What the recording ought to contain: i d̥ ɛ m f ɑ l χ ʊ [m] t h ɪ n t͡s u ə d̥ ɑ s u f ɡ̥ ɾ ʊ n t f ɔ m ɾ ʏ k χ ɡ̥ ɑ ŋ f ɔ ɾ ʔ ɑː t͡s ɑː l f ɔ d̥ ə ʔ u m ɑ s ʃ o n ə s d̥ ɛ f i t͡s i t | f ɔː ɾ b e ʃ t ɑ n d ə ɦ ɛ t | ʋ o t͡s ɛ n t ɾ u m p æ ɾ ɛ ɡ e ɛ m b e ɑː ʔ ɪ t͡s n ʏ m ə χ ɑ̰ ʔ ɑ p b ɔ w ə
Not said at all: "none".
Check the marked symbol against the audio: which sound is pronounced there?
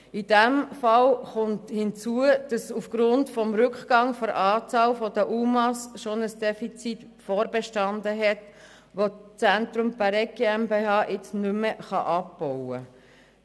n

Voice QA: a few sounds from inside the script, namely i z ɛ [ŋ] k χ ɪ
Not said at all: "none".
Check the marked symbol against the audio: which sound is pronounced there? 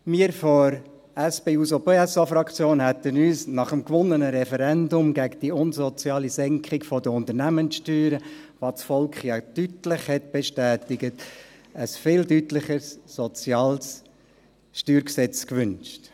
ŋ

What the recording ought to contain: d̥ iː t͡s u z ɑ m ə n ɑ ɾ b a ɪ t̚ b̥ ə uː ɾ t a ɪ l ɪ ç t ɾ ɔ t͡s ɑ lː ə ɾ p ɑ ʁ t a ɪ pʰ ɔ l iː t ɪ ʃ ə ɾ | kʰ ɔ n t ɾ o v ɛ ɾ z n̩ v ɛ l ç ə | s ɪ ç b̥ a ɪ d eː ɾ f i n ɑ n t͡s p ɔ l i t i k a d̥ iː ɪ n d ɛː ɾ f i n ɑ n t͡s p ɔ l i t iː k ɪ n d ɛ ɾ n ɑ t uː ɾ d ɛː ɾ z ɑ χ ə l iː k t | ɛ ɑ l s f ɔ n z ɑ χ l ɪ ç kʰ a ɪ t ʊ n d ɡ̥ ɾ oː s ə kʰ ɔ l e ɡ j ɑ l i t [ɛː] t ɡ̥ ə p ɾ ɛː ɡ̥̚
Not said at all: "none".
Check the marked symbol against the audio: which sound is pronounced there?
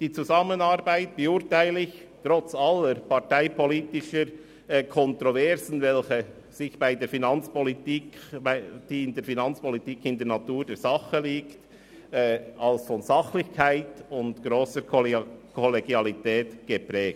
ɛː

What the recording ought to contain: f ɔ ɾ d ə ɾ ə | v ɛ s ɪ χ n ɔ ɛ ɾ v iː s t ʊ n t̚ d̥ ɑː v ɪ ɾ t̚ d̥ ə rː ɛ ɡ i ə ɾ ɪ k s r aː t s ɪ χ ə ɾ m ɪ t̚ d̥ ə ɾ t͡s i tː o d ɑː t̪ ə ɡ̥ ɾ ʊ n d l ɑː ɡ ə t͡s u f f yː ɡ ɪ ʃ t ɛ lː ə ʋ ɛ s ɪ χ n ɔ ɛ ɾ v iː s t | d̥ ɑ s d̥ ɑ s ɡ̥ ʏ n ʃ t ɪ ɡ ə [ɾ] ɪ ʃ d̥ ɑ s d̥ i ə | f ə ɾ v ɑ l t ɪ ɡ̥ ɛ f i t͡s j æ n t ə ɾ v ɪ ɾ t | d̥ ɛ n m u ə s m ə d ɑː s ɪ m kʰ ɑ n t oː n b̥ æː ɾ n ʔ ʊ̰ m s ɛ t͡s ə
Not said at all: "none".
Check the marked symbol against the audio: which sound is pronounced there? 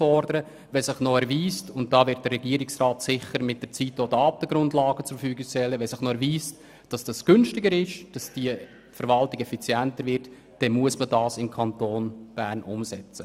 ɾ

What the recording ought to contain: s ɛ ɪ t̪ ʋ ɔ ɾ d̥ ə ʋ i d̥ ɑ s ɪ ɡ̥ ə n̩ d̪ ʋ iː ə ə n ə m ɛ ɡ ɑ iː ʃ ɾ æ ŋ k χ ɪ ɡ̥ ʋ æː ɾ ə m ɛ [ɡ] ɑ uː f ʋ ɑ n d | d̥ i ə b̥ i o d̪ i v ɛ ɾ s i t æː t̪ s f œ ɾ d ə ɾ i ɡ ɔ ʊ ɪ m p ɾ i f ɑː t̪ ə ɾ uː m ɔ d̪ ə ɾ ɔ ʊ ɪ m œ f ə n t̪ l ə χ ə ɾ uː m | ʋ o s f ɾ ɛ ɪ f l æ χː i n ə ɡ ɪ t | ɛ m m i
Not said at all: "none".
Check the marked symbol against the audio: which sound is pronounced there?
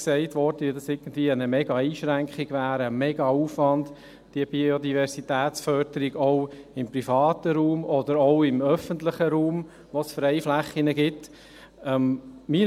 ɡ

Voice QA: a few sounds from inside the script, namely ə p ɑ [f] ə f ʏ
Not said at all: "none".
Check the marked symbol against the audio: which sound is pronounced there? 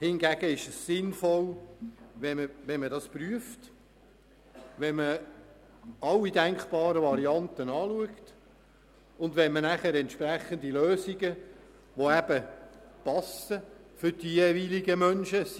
s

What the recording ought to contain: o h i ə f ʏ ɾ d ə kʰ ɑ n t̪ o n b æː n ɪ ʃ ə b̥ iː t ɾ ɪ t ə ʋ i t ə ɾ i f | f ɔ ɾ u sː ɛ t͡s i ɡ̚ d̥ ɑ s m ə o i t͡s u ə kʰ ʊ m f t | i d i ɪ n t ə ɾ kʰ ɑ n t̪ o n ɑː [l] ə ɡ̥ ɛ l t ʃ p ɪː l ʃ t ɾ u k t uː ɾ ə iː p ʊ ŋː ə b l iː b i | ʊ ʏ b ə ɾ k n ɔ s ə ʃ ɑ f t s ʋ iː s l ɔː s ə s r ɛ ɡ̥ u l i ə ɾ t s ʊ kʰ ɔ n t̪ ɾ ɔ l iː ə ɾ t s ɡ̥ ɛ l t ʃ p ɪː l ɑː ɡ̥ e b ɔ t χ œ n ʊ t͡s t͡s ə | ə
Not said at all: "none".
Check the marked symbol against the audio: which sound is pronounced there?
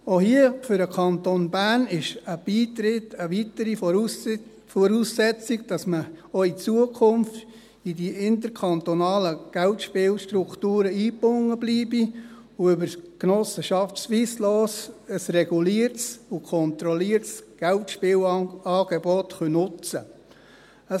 l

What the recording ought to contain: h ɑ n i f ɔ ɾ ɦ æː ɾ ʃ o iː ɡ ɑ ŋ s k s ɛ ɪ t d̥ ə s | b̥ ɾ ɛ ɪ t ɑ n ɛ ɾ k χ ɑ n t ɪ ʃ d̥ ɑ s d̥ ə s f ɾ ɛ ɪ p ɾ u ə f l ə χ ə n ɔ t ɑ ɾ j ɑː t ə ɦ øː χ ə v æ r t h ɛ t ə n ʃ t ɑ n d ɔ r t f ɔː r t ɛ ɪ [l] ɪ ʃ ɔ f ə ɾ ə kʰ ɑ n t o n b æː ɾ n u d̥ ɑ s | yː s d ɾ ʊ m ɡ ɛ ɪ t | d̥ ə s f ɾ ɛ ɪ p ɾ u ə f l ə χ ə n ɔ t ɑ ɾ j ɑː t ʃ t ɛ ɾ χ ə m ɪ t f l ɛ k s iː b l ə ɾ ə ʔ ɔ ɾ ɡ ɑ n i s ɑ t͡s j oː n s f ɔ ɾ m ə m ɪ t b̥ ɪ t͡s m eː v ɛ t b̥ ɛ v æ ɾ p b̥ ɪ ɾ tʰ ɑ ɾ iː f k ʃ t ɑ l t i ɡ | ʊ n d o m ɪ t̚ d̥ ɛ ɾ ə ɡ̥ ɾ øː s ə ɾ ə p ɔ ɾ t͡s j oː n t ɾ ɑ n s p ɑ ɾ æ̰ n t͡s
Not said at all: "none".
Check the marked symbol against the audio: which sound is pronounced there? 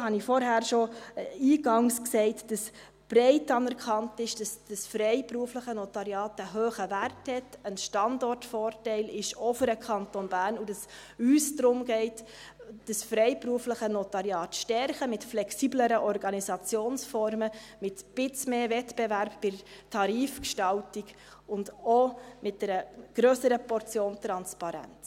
l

